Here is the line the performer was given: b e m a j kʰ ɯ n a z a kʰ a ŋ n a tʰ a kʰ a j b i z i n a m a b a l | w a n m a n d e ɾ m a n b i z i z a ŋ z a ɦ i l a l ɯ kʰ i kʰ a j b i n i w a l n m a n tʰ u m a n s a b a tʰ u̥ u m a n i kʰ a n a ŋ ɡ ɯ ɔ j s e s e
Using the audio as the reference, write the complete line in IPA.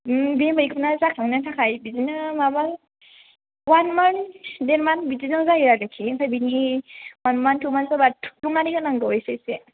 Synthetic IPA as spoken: b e m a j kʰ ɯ n a z a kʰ a ŋ n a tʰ a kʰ a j b i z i n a m a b a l | w a n m a n d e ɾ m a n b i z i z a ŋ z a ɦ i ɾ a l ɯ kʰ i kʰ a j b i n i w a n m a n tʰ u m a n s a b a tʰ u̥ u m a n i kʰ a n a ŋ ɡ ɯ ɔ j s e s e